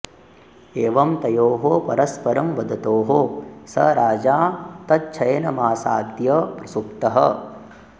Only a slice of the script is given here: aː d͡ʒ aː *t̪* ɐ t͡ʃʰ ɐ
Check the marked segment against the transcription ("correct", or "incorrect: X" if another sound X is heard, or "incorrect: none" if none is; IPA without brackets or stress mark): correct